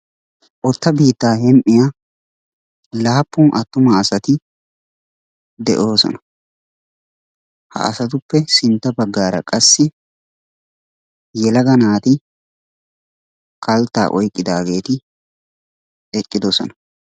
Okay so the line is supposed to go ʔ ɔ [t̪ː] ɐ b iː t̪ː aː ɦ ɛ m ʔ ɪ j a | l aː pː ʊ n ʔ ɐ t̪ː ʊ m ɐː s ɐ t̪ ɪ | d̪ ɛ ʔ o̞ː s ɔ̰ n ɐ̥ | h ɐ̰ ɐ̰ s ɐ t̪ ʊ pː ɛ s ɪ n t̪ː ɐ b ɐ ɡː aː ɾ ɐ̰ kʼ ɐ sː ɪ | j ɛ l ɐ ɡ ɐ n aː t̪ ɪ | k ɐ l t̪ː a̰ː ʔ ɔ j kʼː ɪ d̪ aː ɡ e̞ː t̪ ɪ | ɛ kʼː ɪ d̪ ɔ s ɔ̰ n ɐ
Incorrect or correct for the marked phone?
correct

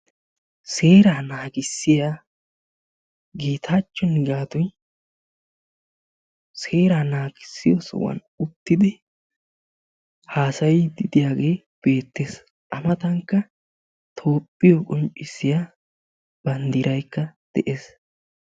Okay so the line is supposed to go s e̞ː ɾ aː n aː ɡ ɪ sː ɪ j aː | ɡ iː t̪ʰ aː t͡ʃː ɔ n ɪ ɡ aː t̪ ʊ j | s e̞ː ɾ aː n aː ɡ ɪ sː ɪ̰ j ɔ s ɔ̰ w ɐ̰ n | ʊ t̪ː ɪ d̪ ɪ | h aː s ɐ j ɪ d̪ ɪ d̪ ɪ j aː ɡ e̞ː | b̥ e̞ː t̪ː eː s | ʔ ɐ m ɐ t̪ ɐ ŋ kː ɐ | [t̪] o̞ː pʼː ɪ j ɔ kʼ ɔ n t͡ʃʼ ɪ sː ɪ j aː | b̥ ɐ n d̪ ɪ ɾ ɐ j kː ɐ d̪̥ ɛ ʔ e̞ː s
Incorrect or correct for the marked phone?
incorrect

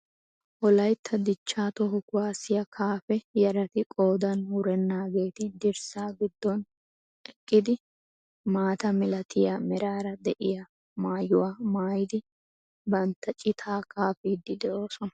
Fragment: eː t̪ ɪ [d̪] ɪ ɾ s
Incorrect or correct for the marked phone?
correct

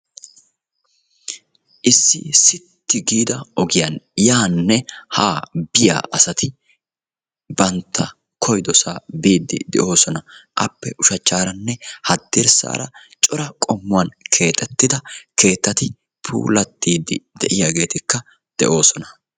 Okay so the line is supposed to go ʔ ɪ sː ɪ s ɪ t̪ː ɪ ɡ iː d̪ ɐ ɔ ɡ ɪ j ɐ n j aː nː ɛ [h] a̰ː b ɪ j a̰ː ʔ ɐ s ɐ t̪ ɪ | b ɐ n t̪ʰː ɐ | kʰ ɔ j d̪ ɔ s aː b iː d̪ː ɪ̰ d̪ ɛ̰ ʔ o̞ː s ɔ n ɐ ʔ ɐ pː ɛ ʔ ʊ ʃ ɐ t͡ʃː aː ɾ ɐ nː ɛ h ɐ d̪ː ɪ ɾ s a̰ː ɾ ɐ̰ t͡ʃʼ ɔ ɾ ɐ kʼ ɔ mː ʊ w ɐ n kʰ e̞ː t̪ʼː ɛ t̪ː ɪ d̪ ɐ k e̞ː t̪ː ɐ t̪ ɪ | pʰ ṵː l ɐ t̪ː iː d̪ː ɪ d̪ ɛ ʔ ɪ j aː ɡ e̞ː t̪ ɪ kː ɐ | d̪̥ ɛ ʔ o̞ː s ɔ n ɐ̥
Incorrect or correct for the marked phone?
correct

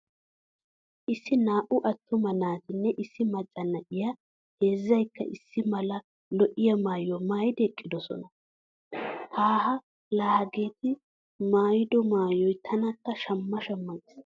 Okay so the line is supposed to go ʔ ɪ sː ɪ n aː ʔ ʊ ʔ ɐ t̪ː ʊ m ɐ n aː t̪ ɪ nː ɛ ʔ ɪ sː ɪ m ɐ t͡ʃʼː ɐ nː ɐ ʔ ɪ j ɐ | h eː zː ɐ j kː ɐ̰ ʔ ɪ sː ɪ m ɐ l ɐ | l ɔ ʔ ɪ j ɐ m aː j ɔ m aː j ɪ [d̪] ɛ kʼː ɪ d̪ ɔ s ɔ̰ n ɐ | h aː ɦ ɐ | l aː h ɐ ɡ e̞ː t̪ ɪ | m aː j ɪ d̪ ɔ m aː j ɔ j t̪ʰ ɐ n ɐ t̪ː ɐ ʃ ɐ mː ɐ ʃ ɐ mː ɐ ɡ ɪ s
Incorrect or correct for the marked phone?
correct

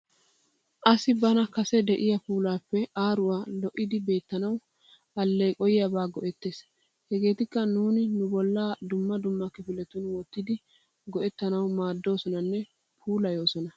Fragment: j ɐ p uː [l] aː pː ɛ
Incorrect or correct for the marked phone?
correct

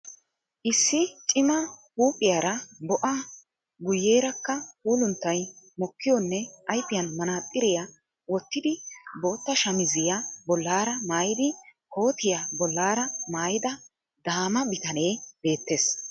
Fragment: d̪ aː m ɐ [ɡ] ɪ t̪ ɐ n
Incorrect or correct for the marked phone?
incorrect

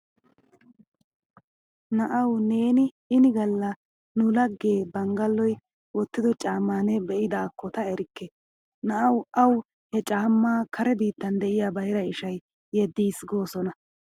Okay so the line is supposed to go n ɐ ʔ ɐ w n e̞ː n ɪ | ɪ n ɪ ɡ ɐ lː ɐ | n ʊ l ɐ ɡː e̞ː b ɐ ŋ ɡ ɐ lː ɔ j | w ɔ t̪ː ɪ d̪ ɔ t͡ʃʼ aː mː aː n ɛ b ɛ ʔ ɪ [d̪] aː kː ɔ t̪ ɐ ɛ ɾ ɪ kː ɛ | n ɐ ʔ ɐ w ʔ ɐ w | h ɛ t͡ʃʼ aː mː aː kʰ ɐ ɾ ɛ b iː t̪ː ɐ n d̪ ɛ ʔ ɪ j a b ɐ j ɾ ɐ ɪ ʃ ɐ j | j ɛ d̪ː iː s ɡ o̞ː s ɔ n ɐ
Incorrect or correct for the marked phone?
correct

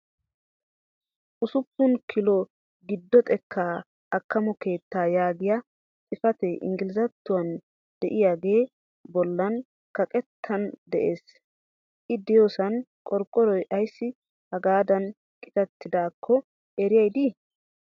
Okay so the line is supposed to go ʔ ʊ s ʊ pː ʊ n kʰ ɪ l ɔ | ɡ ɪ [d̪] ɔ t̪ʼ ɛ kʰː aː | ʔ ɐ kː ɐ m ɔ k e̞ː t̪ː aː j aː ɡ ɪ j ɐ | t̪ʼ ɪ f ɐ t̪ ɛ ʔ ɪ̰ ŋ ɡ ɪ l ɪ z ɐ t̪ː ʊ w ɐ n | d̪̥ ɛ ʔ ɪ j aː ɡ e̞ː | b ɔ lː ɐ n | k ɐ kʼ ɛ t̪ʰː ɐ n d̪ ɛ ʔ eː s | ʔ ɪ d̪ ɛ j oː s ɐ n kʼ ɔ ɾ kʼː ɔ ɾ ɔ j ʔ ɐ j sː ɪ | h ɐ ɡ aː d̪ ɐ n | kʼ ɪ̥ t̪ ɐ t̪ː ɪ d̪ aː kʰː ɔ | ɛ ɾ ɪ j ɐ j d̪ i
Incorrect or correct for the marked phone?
incorrect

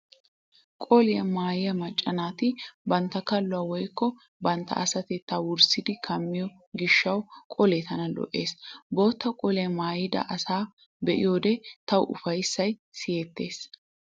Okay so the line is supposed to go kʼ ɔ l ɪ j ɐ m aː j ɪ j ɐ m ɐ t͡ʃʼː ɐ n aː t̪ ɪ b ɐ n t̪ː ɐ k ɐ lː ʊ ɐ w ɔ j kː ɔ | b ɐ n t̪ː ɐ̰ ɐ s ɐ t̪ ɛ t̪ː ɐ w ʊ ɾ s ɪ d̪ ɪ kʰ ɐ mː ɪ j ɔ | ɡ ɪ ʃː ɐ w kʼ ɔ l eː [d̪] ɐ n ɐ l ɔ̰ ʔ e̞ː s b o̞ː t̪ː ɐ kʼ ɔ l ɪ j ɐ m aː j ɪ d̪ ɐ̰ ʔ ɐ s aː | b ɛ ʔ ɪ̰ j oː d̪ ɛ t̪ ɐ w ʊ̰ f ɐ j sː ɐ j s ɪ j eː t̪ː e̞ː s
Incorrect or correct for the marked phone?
incorrect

